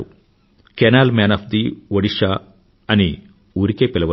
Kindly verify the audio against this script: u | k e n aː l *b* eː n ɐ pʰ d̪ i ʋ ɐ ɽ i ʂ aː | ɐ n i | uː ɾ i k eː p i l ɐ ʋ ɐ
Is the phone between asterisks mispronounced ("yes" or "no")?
yes